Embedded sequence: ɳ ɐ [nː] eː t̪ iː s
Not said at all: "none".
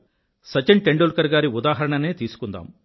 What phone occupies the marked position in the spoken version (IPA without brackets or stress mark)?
n